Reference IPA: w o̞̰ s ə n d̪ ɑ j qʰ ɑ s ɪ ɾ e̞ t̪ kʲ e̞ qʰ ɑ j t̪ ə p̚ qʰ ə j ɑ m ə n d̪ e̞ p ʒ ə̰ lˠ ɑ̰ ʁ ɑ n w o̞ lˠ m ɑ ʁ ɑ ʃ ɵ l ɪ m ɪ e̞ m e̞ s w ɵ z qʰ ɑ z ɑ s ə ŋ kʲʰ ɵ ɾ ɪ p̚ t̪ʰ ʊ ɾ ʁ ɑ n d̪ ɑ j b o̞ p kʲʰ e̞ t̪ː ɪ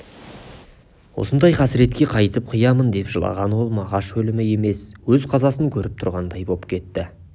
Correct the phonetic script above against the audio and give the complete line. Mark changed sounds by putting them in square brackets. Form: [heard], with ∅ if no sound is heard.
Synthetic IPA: w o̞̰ s ə n d̪ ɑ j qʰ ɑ s ɪ ɾ e̞ t̪ kʲ e̞ qʰ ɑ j t̪ ə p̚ qʰ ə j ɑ m ə n d̪ e̞ p ʒ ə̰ lˠ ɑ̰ ʁ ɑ n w o̞ lˠ m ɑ ʁ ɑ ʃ ɵ l ɪ m ɪ e̞ m e̞ s w ɵ z qʰ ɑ z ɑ s ə ŋ kʲʰ ɵ ɾ ɪ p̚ t̪ʰ ʊ ɾ ʁ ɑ n d̪ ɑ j b o̞ p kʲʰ e̞ t̪ː ɪ